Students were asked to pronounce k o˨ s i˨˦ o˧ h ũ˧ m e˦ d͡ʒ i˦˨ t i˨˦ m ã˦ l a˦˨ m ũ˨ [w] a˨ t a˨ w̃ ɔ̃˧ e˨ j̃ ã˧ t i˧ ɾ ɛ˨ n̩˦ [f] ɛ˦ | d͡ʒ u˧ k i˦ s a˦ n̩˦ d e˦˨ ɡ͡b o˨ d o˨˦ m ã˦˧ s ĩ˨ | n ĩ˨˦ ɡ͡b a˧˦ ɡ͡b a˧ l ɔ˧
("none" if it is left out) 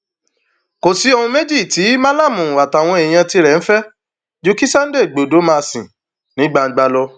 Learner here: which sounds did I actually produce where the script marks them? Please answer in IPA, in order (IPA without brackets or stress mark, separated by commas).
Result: w, f